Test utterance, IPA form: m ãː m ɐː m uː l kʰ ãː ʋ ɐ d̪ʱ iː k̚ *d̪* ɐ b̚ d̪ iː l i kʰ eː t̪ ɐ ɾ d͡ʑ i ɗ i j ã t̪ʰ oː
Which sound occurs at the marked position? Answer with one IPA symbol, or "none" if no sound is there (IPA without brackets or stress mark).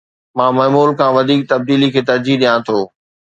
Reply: t̪